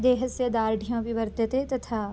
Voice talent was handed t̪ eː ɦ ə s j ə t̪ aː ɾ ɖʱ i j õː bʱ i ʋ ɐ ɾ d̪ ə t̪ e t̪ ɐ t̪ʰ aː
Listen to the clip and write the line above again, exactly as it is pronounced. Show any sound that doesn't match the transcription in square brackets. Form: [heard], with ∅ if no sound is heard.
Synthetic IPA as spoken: [d̪] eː ɦ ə s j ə [d̪] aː ɾ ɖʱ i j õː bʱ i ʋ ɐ ɾ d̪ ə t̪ e t̪ ɐ t̪ʰ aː